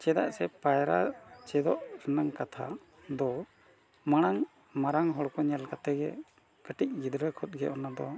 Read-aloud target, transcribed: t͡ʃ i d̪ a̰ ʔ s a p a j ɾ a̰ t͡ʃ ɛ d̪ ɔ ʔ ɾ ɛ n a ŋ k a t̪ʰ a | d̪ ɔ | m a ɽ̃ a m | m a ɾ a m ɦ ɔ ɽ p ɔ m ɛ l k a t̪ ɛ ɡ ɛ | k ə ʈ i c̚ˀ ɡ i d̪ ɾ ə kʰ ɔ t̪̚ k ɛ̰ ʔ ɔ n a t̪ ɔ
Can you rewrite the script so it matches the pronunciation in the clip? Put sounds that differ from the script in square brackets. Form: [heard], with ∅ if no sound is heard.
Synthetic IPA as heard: t͡ʃ [ɛ] d̪ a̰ ʔ s [ɛ] p a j ɾ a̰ t͡ʃ ɛ d̪ ɔ ʔ ɾ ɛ n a ŋ k a t̪ʰ a | d̪ ɔ | m a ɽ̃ a [ŋ] | m a ɾ a [ŋ] ɦ ɔ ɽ [k] ɔ [ɲ] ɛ l k a t̪ ɛ ɡ ɛ | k ə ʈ i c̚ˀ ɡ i d̪ ɾ ə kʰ ɔ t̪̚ [ɡ] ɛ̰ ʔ ɔ n a [d̪] ɔ